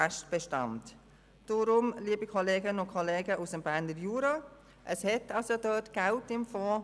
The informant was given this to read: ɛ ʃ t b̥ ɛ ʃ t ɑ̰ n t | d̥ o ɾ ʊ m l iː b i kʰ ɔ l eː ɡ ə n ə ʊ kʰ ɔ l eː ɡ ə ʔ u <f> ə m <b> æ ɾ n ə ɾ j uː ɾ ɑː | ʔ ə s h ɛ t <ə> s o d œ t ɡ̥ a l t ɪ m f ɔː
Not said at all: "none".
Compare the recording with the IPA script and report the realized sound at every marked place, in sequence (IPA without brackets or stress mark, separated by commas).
s, b, ɑ